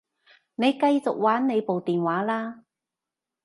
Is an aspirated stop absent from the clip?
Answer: yes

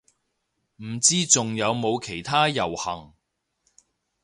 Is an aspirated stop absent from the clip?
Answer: no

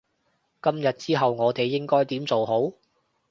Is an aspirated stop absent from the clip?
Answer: yes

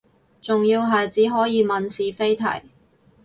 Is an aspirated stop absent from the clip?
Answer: no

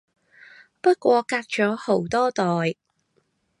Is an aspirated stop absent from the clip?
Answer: yes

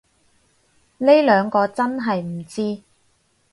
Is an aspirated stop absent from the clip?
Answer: yes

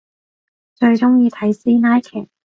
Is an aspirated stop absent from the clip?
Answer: no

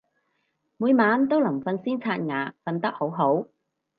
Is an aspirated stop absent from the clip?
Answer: no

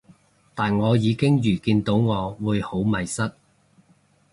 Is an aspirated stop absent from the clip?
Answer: yes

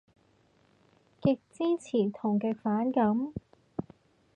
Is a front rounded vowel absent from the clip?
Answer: yes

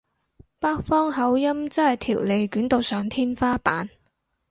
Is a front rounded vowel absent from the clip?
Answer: no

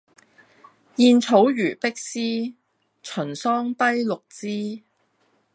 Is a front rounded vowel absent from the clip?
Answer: no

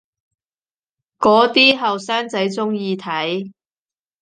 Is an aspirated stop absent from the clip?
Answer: no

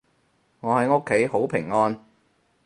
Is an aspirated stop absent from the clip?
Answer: no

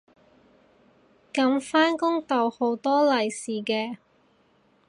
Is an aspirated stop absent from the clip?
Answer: yes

